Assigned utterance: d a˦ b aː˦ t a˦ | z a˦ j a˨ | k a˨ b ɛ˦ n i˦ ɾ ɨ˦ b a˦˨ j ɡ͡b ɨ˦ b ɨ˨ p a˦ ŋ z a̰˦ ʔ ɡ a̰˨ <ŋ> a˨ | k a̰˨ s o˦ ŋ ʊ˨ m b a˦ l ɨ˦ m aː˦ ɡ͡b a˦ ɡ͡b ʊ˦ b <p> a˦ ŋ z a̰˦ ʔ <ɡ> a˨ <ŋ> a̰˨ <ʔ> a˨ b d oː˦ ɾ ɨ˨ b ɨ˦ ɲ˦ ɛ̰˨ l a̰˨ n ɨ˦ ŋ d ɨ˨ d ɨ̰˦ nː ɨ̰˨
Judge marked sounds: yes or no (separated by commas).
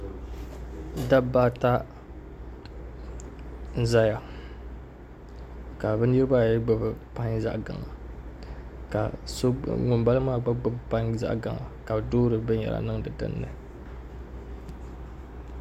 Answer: yes, yes, yes, yes, no